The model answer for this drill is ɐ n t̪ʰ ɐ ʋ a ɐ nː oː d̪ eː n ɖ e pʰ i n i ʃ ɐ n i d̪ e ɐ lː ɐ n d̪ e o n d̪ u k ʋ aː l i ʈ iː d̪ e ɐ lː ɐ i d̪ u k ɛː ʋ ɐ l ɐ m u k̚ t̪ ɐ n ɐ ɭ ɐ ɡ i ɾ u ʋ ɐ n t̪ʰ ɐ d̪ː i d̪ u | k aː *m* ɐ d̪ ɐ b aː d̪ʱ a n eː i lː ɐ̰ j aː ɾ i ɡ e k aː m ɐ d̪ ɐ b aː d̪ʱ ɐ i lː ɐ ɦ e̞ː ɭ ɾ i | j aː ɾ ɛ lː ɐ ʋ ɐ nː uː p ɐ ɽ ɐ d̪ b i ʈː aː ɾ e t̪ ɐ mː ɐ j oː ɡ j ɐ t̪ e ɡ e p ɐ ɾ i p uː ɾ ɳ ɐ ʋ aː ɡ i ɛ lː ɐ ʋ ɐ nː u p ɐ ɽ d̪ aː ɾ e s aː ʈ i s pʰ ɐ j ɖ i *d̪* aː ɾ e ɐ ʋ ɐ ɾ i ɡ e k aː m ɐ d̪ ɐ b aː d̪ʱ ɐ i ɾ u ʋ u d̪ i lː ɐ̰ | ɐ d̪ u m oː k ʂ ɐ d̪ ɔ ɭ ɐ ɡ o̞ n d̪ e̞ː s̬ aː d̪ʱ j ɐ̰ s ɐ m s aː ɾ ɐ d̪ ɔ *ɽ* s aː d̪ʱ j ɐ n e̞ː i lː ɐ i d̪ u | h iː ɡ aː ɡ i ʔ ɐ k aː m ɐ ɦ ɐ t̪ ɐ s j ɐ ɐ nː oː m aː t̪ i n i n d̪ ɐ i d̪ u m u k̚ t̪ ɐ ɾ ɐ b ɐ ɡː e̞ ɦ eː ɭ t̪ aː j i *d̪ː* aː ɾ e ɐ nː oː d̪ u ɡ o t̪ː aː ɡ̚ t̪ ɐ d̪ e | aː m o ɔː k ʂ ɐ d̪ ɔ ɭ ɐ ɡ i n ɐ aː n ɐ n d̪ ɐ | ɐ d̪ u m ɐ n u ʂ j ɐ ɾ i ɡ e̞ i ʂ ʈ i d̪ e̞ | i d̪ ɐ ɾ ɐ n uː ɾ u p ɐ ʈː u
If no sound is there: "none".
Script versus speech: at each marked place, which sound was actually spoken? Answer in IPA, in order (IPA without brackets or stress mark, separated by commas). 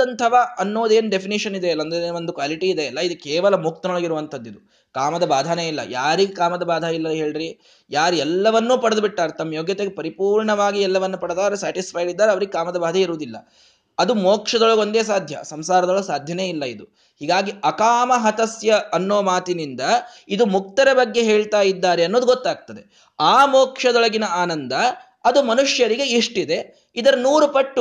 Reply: m, d̪ː, ɭ, d̪ː